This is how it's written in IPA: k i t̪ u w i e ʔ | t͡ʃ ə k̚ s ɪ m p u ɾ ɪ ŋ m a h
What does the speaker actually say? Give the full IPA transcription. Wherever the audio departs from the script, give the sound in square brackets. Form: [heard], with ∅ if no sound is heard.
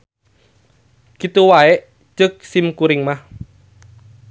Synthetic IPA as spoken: k i t̪ u w [a] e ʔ | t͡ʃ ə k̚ s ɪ m [k] u ɾ ɪ ŋ m a h